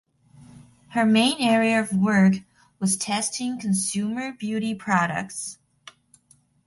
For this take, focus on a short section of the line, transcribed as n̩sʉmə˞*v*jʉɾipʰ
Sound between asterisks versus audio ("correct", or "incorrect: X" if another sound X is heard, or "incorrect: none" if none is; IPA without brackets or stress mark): incorrect: b